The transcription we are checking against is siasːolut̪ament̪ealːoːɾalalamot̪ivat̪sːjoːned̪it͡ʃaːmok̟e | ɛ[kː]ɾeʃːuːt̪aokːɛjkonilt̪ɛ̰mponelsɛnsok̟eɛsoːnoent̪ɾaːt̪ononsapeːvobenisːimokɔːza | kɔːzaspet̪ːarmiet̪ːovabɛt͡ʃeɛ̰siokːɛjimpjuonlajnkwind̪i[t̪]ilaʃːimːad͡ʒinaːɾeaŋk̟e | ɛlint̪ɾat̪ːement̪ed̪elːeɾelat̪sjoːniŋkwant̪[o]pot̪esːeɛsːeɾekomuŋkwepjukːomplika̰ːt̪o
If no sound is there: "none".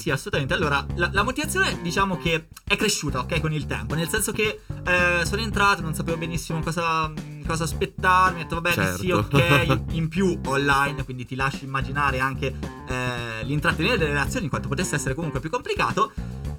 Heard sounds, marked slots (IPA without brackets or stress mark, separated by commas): kː, t̪, o